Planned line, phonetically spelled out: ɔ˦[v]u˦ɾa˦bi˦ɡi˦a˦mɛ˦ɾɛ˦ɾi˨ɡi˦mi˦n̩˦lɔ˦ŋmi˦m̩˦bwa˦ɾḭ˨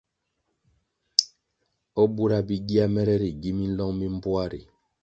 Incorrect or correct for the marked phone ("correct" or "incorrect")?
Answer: incorrect